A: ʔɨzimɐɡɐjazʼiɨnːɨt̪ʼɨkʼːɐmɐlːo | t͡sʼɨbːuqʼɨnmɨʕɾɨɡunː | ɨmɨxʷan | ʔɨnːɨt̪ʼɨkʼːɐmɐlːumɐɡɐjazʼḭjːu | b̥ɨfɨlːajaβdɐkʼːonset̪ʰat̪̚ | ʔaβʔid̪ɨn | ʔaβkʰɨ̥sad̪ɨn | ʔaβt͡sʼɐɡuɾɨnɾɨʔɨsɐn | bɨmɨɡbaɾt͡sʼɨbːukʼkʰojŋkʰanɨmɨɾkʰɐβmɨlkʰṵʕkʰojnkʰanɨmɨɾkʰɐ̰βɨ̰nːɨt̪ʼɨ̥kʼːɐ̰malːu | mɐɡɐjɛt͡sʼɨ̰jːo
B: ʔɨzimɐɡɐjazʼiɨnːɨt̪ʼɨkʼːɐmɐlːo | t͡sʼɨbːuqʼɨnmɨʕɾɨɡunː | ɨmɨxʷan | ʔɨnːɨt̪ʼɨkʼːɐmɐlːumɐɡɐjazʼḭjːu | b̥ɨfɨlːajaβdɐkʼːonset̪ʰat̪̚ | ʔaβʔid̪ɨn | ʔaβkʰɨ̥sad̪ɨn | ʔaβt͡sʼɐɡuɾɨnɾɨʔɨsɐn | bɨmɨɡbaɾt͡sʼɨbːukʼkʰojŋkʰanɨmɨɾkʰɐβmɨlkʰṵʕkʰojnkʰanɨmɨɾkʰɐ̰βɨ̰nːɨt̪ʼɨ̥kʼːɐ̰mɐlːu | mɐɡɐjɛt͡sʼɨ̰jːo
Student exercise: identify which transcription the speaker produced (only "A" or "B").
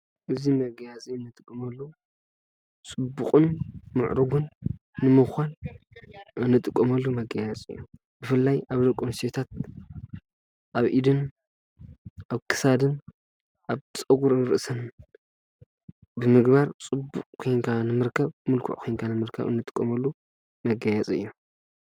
B